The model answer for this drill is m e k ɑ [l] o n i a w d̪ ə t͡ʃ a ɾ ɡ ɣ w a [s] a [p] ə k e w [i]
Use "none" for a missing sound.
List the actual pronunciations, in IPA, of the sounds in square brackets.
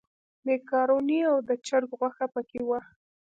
ɾ, x, p, a

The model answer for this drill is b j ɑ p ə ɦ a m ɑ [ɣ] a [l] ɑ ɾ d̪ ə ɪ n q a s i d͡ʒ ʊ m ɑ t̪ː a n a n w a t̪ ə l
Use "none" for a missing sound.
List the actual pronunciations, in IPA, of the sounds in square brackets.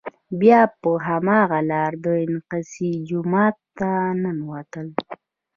ɣ, l

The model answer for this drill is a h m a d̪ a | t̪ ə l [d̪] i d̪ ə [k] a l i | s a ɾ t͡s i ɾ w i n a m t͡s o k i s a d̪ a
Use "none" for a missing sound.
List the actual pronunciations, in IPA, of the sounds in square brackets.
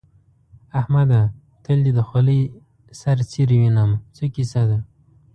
d̪, x

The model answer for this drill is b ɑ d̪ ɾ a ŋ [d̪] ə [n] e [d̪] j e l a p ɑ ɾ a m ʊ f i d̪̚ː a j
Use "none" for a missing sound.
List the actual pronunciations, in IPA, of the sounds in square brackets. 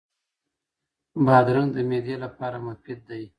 d̪, m, d̪

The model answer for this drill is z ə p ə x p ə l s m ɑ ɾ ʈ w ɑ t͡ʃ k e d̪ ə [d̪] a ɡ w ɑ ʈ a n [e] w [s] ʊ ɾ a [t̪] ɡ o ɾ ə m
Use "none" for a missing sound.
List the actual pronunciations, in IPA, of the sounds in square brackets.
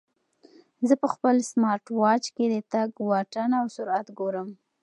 t̪, a, s, t̪

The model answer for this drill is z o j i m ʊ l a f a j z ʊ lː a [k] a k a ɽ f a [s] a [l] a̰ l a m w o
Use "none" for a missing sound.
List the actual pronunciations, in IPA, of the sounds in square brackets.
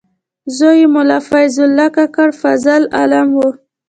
k, z, l

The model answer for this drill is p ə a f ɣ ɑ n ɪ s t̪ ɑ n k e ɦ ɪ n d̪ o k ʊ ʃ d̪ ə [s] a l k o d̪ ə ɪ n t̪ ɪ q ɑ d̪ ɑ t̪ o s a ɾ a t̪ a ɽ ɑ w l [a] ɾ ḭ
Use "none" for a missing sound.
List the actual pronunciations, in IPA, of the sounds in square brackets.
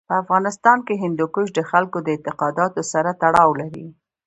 x, a

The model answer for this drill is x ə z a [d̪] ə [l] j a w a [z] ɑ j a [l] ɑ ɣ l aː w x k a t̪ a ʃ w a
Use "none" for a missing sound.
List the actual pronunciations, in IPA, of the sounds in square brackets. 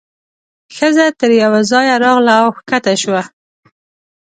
t̪, ɾ, z, ɾ

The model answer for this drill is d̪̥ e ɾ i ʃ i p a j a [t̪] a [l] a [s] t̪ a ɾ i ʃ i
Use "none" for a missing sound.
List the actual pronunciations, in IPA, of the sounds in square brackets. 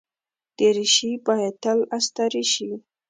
t̪, l, s

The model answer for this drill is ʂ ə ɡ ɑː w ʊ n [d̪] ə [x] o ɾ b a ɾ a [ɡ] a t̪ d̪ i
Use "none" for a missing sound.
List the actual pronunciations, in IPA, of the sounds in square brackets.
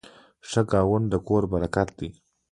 d̪, k, k

